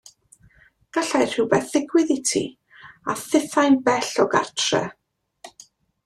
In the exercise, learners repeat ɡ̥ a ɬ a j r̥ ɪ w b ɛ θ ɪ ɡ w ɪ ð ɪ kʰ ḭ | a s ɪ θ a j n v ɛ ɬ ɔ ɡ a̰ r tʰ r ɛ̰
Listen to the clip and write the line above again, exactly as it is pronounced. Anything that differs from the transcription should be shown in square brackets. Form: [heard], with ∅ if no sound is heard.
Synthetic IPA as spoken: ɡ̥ a ɬ a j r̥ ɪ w b ɛ θ ɪ ɡ w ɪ ð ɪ [tʰ] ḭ | a [θ] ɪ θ a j n [b] ɛ ɬ ɔ ɡ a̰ r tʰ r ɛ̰